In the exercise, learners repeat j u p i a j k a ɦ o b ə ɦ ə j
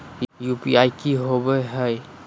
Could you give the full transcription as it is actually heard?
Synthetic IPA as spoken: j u p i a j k i ɦ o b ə ɦ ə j